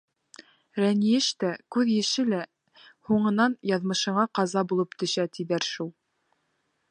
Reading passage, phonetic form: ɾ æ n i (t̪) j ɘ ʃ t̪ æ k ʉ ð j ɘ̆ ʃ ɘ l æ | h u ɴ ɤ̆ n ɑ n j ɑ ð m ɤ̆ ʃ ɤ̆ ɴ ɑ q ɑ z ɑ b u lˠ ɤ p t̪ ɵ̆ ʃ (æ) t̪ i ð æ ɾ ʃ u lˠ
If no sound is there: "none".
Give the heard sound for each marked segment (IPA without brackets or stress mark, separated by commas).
none, æ